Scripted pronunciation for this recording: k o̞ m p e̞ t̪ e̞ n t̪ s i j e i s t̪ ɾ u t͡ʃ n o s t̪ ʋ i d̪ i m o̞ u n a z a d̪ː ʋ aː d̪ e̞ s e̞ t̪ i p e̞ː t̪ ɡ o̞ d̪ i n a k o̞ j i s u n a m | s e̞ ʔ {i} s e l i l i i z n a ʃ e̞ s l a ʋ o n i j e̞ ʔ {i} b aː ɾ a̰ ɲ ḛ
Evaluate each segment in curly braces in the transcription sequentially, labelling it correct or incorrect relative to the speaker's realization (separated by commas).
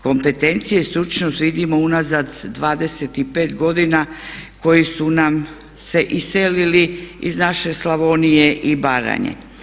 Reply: correct, correct